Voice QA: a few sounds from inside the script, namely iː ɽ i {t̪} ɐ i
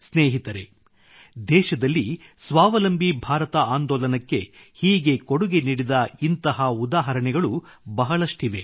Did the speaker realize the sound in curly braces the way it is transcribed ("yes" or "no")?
no